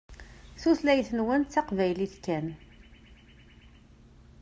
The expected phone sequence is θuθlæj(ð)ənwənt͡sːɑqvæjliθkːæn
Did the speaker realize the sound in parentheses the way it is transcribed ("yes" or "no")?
no